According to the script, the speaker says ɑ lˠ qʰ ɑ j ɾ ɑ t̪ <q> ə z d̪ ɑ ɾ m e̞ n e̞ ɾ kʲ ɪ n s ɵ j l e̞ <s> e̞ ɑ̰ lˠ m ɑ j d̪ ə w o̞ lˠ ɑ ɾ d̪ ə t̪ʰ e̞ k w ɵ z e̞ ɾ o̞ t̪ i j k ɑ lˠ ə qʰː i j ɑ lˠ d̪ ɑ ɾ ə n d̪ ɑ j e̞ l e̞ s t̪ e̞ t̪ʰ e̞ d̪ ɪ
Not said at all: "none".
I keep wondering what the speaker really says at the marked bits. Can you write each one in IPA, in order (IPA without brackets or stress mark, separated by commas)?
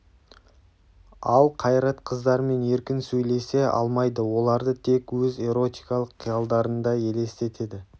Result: qʰ, s